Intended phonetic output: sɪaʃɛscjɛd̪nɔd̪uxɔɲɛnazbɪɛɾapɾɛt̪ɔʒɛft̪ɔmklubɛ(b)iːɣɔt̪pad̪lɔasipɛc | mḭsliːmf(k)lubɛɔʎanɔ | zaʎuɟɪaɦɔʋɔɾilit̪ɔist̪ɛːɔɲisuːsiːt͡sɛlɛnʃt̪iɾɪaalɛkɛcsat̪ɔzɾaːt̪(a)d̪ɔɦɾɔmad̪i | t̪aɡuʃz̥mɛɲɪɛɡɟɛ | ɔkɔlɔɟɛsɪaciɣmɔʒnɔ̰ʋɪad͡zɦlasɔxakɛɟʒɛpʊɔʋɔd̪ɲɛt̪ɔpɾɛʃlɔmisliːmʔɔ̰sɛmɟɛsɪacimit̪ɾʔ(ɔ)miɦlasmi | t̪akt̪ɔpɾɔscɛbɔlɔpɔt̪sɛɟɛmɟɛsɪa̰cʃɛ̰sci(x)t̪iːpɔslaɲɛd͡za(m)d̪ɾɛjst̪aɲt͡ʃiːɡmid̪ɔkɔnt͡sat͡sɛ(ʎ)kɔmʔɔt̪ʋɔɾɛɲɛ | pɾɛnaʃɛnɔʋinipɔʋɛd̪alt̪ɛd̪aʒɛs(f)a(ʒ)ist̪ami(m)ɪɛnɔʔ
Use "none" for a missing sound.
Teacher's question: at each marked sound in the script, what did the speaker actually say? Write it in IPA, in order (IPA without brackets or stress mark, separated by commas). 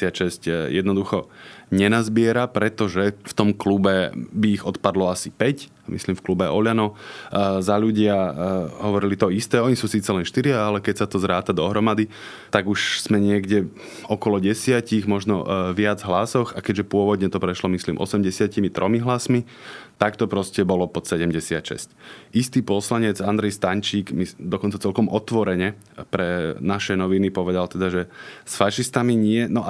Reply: b, k, a, ɔ, s, n, l, f, ʃ, ɲ